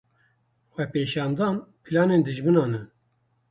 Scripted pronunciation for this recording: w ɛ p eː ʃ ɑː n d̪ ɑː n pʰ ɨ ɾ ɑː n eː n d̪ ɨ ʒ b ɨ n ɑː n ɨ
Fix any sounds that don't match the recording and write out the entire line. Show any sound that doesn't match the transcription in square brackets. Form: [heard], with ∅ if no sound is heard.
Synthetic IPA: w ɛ p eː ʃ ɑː n d̪ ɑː n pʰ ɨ [l] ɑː n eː n d̪ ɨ ʒ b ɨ n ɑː n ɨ